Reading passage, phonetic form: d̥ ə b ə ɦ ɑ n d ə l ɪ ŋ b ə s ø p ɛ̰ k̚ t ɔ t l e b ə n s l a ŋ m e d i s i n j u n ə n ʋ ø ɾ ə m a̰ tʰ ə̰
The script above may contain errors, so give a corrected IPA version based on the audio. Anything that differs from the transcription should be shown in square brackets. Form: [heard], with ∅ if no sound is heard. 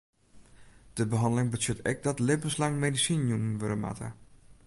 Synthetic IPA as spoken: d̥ ə b ə ɦ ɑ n d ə l ɪ ŋ b ə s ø [t] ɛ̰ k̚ [d] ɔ t l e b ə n s l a ŋ m e d i s i n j u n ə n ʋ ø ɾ ə m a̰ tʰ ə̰